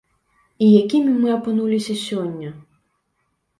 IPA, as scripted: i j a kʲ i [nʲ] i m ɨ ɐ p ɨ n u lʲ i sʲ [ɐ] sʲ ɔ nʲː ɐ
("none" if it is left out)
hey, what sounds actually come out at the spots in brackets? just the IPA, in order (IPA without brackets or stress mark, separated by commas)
mʲ, ɐ